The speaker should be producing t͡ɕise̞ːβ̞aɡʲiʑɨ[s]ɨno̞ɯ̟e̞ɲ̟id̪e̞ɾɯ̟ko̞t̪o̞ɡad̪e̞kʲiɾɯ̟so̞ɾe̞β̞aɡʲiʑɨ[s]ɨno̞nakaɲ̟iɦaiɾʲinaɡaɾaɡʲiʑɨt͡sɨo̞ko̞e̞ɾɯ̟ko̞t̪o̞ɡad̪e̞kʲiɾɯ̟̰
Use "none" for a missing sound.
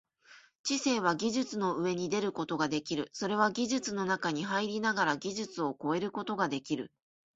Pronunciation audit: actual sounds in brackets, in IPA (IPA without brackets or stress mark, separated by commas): t͡s, t͡s